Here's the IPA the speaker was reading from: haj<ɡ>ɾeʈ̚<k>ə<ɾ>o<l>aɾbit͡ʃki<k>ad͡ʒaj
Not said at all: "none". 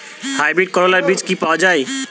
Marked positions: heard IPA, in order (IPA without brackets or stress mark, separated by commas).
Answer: b, k, ɾ, l, p